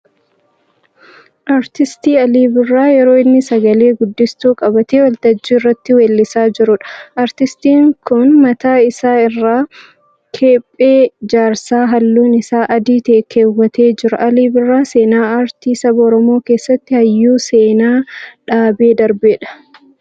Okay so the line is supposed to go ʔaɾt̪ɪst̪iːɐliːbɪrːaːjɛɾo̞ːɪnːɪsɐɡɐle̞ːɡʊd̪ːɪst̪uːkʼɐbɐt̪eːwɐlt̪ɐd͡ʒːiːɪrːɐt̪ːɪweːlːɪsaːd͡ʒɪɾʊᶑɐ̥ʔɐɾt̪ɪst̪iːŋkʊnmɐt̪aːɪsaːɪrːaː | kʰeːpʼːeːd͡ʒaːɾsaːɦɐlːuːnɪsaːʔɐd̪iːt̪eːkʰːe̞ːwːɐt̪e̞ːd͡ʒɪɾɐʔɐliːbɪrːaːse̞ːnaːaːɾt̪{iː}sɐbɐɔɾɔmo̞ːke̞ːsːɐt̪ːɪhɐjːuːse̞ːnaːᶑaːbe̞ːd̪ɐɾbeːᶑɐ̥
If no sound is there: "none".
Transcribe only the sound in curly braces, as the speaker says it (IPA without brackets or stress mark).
iː